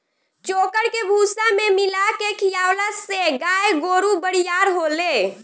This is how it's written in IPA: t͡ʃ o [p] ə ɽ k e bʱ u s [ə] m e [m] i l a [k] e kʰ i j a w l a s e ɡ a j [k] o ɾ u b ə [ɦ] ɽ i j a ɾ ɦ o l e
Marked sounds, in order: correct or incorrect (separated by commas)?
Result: incorrect, incorrect, correct, correct, incorrect, incorrect